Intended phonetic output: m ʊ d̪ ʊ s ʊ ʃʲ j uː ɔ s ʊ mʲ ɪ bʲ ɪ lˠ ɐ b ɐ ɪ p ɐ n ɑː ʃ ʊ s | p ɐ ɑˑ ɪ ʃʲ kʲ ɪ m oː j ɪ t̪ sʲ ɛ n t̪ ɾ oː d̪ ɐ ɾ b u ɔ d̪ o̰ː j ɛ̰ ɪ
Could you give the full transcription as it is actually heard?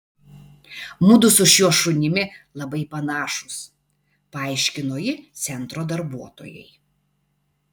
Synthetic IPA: m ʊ d̪ ʊ s ʊ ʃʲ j u ɔ ʃ ʊ nʲ ɪ mʲ ɪ lˠ ɐ b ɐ ɪ p ɐ n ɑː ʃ ʊ s | p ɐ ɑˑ ɪ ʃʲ kʲ ɪ n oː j ɪ t̪ sʲ ɛ n t̪ ɾ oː d̪ ɐ ɾ b u ɔ t̪ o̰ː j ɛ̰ ɪ